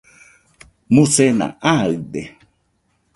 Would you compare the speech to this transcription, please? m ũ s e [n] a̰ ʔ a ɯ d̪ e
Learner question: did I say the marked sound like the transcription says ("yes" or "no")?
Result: yes